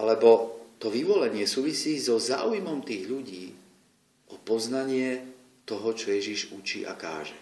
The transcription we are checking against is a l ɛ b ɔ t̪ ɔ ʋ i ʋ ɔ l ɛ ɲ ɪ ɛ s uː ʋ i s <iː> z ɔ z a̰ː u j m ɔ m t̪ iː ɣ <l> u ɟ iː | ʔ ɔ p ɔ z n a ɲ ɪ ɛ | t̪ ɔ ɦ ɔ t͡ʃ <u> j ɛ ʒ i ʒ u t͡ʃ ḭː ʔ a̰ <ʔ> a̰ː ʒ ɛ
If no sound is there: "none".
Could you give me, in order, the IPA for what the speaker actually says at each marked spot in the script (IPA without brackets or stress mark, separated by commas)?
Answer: iː, ʎ, ɔ, k